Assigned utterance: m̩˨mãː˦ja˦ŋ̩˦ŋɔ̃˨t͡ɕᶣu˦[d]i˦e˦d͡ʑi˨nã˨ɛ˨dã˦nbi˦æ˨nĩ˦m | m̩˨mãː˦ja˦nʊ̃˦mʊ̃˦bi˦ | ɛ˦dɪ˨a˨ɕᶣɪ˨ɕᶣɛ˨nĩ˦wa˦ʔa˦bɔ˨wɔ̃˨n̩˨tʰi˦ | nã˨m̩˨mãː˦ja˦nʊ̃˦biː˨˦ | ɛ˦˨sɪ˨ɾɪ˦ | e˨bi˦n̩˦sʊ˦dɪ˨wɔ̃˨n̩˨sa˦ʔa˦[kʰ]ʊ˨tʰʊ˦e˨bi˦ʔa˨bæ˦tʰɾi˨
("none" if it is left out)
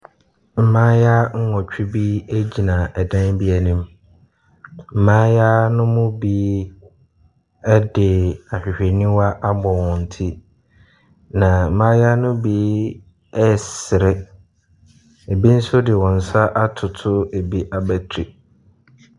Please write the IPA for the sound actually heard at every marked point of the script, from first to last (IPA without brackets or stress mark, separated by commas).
b, tʰ